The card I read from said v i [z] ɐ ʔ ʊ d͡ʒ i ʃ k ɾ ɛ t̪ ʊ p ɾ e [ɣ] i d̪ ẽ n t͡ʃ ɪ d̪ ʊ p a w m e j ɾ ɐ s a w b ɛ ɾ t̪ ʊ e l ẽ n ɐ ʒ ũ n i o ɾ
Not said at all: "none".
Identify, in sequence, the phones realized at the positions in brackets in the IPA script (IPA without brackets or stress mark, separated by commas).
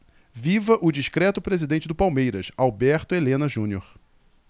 v, z